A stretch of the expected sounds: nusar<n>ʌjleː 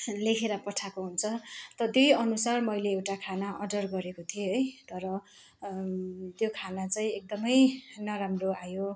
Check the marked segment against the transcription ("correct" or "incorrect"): incorrect